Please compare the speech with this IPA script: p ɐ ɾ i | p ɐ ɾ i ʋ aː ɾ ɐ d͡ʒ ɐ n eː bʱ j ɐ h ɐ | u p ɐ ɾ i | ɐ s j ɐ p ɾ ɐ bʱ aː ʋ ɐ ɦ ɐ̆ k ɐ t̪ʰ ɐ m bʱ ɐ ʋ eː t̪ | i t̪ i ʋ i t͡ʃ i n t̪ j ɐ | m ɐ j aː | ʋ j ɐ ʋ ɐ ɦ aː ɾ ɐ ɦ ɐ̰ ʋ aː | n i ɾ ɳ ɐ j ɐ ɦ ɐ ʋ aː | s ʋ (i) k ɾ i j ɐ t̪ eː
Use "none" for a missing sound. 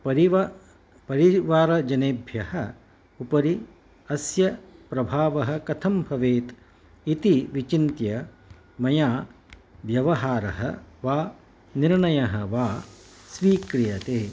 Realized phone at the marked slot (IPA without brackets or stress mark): iː